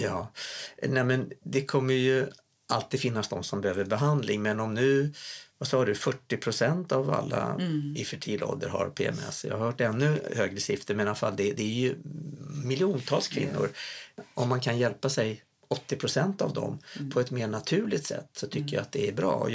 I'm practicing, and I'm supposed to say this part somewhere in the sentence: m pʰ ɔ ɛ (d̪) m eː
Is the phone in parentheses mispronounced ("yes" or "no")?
yes